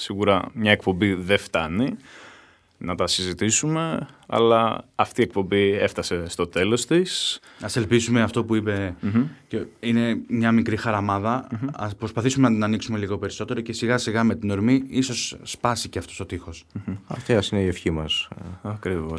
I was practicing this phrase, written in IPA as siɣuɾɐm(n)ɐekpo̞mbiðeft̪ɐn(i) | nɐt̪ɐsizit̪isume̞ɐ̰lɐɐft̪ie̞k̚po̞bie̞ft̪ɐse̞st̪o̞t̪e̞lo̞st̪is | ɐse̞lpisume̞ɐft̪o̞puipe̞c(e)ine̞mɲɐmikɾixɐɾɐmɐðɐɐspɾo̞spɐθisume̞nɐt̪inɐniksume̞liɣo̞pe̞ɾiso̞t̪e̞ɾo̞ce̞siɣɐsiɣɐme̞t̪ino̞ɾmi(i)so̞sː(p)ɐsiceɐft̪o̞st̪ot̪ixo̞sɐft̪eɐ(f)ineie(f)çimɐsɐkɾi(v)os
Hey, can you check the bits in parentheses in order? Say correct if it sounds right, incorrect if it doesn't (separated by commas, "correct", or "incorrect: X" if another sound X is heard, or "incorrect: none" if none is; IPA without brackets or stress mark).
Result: incorrect: ɲ, correct, correct, correct, correct, incorrect: s, correct, correct